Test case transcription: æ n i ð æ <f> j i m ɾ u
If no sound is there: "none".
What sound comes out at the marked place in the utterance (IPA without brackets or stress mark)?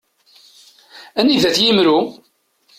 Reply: θ